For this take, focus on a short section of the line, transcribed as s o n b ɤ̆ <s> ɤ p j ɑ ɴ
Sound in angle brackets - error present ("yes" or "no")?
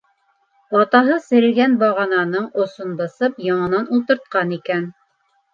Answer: no